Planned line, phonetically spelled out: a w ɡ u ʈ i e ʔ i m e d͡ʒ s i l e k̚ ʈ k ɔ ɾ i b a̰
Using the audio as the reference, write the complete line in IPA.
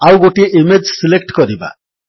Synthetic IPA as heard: a w ɡ o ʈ i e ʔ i m e d͡ʒ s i l e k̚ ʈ k ɔ ɾ i b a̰